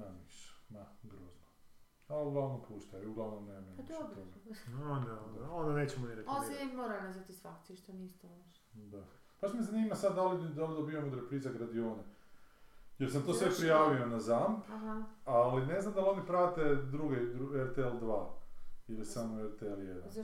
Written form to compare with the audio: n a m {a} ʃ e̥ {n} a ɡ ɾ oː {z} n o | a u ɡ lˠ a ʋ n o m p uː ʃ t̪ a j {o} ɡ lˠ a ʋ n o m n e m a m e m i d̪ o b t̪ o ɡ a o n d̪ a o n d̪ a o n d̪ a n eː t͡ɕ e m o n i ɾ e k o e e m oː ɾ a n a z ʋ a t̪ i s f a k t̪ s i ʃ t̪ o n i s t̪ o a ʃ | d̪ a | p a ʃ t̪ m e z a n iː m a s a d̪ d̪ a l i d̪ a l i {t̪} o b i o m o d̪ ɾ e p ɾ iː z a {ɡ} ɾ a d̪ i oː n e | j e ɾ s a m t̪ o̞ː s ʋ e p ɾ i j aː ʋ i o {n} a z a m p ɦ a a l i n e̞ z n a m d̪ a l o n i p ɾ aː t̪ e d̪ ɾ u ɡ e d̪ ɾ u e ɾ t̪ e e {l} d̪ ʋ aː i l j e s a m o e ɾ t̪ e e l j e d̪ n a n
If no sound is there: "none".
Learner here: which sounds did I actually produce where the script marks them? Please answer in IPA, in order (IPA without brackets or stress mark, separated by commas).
i, m, z, u, d̪, ɡ, n, l